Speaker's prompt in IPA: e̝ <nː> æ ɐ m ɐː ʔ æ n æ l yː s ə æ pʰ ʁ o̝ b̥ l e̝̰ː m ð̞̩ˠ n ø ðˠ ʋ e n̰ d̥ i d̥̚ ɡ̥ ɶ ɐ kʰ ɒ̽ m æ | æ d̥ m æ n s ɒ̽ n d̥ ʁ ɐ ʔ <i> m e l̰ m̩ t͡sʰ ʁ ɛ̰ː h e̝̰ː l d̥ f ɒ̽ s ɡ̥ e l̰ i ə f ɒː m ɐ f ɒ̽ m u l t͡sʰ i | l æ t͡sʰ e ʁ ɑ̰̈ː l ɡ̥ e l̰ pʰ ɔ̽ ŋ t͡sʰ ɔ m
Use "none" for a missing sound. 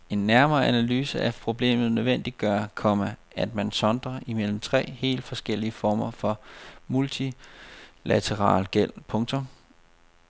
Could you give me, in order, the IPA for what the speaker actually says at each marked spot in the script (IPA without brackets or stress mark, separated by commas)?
nː, i